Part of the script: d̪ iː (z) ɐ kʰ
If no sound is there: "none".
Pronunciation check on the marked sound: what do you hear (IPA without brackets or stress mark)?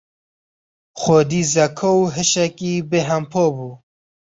z